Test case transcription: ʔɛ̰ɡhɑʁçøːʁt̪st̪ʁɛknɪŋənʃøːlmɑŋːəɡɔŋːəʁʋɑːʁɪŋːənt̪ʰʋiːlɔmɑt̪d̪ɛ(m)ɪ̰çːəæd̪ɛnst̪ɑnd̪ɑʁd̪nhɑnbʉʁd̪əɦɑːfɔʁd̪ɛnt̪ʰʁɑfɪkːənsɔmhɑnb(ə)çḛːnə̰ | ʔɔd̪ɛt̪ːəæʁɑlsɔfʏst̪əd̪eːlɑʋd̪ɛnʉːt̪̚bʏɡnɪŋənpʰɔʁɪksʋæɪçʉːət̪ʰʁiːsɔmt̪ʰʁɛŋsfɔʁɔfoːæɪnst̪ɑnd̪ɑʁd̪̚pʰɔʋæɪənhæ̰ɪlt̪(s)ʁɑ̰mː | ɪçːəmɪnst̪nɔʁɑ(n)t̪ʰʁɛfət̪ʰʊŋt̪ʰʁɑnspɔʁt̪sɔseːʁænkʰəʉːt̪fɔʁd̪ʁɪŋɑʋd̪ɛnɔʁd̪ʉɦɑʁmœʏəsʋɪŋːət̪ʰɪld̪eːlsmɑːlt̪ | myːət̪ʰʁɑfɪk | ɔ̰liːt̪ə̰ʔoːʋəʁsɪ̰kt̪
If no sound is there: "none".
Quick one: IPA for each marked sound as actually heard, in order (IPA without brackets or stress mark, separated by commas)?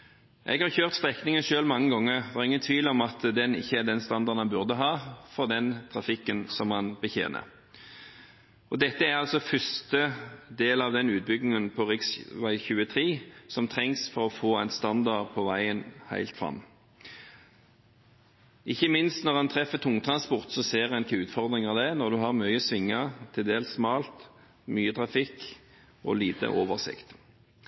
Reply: n, ə, f, n